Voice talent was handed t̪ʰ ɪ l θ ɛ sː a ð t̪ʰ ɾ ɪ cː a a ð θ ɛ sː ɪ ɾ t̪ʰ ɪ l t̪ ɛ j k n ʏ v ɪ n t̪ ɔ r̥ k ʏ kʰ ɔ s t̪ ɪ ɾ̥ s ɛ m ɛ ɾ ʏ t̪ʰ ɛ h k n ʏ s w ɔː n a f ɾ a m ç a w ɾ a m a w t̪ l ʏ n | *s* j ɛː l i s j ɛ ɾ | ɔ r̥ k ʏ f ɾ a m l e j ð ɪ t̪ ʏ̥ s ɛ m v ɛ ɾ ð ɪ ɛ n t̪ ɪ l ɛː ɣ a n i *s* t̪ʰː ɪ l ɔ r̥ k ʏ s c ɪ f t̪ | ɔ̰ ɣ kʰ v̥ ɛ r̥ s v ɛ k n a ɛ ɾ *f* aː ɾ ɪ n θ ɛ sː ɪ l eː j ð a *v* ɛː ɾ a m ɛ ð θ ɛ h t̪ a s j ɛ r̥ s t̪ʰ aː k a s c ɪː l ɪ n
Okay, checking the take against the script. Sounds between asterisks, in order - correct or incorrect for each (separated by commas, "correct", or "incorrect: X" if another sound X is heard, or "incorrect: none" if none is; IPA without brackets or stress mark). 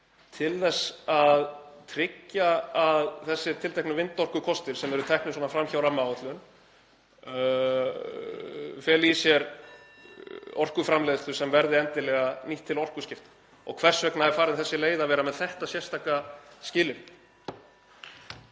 incorrect: f, incorrect: h, correct, correct